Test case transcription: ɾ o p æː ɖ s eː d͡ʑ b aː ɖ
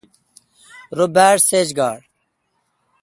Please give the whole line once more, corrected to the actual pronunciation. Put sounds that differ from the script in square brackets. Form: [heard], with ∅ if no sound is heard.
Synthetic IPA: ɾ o [b] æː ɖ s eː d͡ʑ [ɡ] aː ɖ